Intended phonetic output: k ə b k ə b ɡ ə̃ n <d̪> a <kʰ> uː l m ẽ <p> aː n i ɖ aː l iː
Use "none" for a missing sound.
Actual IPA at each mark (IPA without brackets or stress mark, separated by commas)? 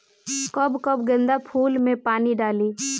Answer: d̪, pʰ, p